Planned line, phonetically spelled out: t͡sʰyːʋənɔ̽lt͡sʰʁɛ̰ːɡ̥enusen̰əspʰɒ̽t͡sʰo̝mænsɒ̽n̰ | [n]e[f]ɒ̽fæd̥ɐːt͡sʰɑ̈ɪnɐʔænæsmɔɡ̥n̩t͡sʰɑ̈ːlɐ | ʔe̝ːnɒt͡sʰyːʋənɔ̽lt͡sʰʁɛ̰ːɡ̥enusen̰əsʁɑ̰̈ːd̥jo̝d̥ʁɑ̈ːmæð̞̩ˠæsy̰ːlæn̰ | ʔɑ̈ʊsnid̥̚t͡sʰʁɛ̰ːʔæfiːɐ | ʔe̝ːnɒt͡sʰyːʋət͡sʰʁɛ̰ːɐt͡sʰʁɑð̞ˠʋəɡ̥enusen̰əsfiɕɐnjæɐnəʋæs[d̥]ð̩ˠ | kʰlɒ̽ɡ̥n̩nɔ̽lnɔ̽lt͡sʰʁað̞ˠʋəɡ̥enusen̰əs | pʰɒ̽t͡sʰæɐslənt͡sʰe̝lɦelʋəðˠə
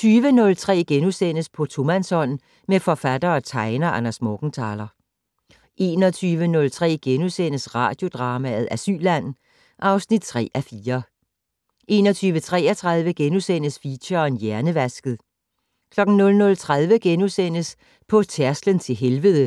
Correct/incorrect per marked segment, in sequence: incorrect: m, correct, incorrect: ɡ̥

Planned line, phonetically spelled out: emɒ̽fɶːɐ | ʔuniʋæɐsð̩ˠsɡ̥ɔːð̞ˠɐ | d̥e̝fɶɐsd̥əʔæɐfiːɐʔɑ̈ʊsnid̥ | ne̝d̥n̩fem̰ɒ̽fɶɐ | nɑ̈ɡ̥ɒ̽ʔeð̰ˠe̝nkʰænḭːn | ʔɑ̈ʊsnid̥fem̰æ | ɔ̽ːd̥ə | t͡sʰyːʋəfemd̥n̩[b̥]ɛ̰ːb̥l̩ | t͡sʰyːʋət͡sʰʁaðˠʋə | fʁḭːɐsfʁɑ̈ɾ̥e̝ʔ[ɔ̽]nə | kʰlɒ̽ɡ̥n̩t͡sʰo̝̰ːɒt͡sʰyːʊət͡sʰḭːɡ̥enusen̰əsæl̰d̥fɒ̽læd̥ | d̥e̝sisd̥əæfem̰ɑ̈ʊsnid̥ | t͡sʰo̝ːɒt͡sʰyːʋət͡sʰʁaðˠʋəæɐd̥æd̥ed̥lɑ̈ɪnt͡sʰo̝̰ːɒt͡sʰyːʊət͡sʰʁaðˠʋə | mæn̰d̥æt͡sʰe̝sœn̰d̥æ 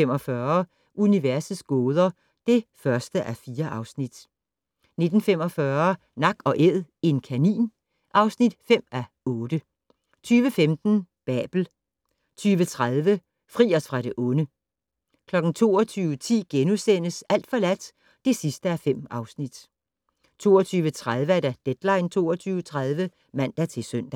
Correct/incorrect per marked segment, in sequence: correct, correct

